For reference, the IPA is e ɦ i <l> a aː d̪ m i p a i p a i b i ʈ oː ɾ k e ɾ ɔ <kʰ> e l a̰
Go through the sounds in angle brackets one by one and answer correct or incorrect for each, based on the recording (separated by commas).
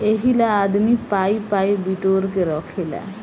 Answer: correct, correct